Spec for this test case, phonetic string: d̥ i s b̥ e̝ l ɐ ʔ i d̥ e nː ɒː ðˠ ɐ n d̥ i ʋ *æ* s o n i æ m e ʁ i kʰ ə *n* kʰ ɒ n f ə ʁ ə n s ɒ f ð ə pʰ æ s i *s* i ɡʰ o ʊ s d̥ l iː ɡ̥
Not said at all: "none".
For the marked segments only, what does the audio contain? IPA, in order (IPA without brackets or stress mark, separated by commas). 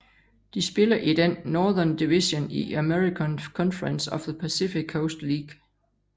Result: i, n, f